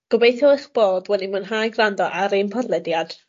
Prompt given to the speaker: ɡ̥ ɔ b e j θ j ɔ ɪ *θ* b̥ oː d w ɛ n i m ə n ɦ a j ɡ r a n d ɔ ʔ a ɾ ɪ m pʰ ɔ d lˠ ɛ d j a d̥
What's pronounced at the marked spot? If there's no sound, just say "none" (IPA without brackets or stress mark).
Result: χ